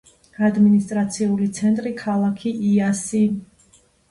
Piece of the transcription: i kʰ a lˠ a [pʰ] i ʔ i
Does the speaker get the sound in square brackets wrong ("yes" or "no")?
yes